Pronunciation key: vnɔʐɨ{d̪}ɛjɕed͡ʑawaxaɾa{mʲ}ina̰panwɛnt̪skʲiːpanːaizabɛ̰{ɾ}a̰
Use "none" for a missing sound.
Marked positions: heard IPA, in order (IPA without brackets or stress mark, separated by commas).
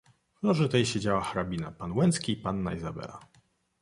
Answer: t̪, bʲ, l